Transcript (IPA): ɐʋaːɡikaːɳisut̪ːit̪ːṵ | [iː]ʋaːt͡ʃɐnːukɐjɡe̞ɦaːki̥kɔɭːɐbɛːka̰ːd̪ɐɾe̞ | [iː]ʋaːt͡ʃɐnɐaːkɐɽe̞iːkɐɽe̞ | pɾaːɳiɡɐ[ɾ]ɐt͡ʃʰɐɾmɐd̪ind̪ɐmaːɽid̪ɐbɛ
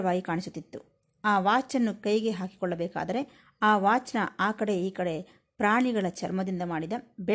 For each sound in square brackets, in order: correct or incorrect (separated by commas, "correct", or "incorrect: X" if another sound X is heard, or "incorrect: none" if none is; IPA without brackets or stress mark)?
incorrect: aː, incorrect: aː, incorrect: ɭ